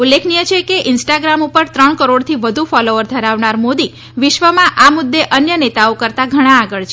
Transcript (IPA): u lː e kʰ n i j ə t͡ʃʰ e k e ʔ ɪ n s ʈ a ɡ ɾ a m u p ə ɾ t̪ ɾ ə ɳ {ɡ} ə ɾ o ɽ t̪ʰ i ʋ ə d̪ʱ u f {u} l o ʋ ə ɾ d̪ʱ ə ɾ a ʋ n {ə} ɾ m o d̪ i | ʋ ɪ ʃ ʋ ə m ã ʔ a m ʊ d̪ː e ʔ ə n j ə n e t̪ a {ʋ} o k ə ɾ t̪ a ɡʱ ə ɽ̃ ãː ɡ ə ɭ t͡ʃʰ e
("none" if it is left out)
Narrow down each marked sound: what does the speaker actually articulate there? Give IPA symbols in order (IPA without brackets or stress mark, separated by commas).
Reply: k, ɔ, a, none